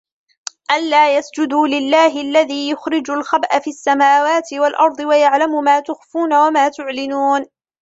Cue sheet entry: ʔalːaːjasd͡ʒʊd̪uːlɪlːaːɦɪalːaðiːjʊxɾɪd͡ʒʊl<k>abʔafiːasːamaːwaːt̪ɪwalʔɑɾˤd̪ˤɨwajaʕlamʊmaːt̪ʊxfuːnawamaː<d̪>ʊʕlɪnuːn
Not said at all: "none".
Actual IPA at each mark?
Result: x, t̪

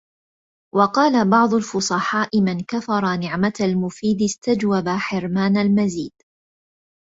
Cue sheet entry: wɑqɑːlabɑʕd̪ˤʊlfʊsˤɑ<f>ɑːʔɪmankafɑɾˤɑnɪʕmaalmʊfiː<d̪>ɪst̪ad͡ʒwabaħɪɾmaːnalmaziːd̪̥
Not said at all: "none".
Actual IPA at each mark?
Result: ħ, d̪

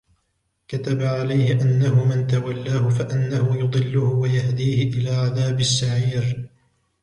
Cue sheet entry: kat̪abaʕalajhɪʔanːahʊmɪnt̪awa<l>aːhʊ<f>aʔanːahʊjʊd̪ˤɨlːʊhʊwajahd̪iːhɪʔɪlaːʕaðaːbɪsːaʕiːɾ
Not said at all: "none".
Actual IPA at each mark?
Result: lː, f

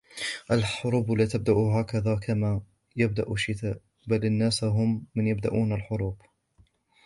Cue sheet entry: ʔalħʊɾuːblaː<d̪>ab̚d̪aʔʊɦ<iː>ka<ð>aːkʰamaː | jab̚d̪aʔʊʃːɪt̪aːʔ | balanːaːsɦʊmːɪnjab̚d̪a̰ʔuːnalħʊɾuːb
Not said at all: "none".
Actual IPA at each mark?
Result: t̪, aː, ð

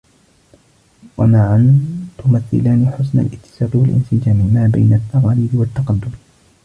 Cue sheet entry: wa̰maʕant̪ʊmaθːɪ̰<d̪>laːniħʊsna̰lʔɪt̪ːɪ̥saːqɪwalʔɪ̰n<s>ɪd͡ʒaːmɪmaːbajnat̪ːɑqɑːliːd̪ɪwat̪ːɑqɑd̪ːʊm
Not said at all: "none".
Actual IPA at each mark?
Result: none, s

